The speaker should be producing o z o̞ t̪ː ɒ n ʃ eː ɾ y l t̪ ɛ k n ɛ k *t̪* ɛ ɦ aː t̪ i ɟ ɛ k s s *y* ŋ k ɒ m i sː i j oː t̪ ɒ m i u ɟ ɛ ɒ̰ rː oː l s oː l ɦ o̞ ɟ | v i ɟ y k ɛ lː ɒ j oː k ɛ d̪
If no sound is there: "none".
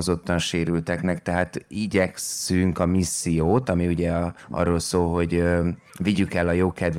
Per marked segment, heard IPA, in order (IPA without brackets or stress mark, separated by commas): t̪, y